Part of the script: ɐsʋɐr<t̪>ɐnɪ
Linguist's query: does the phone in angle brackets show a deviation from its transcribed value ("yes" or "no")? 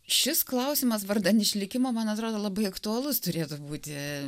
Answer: yes